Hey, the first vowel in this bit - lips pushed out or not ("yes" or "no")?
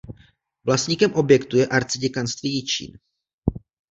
no